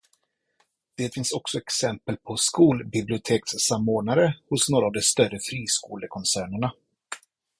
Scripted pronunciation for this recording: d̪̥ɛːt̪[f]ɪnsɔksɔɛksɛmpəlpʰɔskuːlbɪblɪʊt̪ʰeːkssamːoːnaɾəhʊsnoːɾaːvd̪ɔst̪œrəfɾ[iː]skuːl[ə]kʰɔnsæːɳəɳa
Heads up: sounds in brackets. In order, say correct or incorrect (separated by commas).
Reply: correct, correct, correct